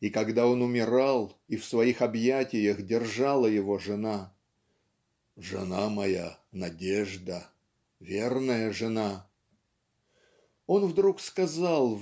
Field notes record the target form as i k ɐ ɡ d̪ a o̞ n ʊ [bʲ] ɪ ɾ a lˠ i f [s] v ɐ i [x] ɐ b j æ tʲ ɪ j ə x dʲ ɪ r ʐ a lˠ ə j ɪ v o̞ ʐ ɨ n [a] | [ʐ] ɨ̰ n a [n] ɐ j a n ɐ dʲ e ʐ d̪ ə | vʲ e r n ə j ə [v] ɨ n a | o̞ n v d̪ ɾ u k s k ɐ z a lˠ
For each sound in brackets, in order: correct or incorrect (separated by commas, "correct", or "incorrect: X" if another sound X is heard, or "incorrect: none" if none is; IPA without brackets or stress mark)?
incorrect: mʲ, correct, correct, correct, correct, incorrect: m, incorrect: ʐ